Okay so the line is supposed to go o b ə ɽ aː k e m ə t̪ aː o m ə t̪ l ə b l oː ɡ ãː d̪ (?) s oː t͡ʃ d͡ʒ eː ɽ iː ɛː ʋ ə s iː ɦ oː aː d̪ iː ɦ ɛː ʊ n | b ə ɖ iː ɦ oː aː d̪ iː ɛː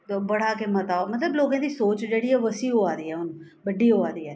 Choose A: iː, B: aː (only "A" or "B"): A